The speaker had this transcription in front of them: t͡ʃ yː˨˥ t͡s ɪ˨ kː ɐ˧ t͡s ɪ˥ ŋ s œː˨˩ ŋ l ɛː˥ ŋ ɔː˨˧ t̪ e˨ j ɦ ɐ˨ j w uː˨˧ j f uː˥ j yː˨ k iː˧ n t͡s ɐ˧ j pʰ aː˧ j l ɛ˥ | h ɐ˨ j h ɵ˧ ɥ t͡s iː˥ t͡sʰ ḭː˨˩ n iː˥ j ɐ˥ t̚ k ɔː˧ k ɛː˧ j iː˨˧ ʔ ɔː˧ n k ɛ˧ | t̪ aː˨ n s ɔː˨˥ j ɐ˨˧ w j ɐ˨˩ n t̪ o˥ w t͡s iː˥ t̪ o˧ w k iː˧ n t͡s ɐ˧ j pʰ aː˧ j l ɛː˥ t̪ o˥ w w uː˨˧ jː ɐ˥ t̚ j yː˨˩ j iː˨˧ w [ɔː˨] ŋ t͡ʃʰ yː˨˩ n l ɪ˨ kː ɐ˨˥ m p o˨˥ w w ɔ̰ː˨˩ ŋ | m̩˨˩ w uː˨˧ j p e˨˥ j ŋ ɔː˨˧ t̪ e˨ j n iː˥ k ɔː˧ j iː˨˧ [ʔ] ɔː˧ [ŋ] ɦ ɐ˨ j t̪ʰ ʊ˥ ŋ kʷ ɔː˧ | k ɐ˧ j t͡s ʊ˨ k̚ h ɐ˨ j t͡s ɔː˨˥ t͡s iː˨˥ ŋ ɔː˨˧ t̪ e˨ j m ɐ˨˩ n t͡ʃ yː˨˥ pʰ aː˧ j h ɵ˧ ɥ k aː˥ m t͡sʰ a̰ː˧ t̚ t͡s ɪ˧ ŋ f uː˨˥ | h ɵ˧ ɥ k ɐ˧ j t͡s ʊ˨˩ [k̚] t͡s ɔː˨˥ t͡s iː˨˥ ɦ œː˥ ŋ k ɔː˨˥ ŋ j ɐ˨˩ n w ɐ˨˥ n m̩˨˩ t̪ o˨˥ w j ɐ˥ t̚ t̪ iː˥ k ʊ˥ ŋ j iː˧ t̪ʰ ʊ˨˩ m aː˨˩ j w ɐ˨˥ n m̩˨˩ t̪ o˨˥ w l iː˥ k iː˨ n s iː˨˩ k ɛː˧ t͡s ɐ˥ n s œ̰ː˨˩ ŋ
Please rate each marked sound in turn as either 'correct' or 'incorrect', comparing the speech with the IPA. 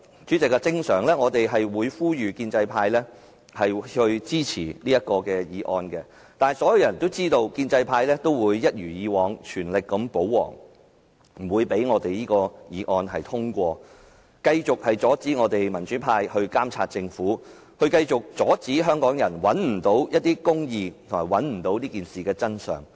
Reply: correct, correct, incorrect, correct

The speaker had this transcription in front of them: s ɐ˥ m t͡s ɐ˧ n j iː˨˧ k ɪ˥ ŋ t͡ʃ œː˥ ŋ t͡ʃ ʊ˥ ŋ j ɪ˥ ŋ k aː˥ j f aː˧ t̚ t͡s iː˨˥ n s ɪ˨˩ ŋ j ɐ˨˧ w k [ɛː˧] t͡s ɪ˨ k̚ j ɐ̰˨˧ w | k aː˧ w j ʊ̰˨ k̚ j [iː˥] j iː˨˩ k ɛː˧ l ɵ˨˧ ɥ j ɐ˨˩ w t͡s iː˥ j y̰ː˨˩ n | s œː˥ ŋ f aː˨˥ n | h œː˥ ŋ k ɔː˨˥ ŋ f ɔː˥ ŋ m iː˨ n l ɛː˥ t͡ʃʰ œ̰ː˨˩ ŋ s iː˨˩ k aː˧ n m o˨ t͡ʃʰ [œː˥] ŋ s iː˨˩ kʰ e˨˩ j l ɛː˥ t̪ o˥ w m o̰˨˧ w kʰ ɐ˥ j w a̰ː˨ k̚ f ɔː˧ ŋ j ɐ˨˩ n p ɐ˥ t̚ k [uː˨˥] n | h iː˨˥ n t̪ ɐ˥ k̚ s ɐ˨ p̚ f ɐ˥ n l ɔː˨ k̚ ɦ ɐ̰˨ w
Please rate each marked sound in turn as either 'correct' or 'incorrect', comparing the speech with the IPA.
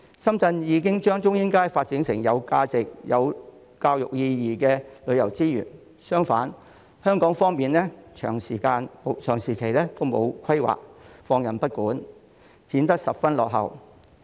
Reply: incorrect, incorrect, incorrect, correct

